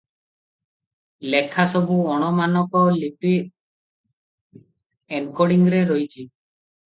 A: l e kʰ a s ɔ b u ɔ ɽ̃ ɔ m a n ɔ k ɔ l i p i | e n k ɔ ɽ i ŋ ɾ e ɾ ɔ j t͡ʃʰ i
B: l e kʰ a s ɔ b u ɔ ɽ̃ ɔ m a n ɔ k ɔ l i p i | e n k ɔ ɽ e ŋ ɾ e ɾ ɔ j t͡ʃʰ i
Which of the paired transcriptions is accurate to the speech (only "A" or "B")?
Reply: A